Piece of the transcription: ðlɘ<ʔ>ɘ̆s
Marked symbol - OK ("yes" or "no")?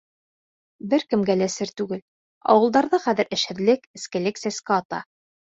no